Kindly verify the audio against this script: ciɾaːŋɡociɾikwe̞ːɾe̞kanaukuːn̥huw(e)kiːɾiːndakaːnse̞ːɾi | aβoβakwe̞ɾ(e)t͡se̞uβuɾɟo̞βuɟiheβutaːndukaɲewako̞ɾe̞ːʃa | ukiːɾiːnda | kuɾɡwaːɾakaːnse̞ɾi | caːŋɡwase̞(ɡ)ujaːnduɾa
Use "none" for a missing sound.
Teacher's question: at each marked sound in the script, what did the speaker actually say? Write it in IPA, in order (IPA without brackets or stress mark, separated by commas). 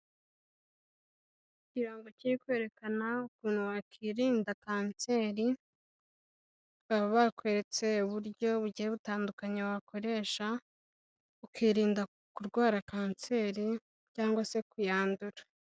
a, e, k